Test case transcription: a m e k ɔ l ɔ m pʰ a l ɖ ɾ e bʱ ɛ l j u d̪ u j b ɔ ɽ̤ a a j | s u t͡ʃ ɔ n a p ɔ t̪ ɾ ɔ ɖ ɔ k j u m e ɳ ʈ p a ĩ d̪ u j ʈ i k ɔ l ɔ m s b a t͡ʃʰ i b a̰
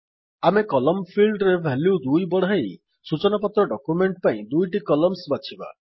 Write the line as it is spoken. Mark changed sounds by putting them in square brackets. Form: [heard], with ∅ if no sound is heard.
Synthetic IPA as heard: a m e k ɔ l ɔ m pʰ [i] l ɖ ɾ e bʱ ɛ l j u d̪ u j b ɔ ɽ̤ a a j | s u t͡ʃ ɔ n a p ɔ t̪ ɾ ɔ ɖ ɔ k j u m e ɳ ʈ p a ĩ d̪ u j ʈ i k ɔ l ɔ m s b a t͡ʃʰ i b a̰